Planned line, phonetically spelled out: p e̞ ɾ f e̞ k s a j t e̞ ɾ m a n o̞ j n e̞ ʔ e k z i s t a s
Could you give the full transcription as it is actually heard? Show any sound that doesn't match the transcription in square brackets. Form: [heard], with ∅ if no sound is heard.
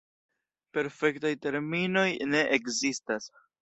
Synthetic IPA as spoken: p e̞ ɾ f e̞ k [t] a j t e̞ ɾ m [i] n o̞ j n e̞ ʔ e k z i s t a s